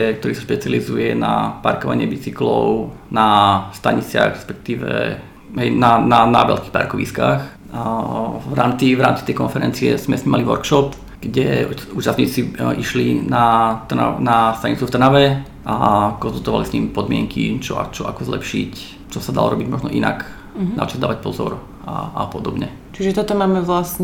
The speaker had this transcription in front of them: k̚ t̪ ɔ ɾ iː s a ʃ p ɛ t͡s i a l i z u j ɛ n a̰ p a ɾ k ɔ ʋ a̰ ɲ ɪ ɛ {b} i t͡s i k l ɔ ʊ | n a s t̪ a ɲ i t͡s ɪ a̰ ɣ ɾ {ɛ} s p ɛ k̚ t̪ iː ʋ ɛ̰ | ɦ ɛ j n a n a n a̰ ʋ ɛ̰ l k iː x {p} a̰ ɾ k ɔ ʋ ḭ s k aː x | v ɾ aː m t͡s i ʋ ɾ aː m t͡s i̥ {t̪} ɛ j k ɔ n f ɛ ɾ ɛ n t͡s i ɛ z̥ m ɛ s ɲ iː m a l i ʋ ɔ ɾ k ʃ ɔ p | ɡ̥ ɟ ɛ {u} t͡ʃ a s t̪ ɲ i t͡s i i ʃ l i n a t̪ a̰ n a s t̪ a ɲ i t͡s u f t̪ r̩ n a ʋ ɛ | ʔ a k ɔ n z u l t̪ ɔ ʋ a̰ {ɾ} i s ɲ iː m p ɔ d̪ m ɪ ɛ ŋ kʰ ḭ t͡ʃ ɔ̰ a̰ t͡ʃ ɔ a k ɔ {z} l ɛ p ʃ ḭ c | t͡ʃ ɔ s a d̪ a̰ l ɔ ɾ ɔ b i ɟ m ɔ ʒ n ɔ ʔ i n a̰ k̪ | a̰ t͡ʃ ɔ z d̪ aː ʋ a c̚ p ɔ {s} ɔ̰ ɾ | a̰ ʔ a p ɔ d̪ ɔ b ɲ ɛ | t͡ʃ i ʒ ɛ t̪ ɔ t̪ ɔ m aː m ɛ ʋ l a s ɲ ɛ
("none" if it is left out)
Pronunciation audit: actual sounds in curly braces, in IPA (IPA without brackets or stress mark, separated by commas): b, ɛ, p, t̪, uː, l, z, z